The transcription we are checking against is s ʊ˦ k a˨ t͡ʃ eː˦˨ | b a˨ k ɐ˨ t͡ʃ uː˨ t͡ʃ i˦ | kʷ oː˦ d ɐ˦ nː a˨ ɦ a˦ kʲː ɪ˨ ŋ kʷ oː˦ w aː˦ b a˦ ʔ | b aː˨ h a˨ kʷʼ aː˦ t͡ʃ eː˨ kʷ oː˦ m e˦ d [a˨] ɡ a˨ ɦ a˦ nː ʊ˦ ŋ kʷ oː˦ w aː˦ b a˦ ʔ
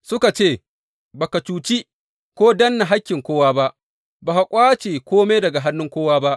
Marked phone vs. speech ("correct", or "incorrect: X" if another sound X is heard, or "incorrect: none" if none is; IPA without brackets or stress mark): incorrect: ɐ˨